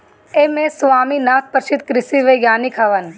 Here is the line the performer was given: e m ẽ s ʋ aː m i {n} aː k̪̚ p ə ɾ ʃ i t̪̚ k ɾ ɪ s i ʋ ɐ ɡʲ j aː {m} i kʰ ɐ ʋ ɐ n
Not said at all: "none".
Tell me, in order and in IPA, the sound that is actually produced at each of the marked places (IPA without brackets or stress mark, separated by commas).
n, n